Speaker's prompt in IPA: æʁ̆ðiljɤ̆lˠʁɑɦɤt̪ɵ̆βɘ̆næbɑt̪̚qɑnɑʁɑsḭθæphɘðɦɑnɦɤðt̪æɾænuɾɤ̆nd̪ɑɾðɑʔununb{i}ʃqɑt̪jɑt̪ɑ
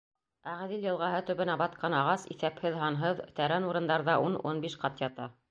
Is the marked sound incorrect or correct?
correct